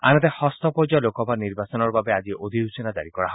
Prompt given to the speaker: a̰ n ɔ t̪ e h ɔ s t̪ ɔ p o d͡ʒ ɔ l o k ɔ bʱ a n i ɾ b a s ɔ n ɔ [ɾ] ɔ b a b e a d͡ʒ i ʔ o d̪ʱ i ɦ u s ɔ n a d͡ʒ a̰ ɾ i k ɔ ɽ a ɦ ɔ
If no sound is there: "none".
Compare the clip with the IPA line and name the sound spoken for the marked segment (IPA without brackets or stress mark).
ɾ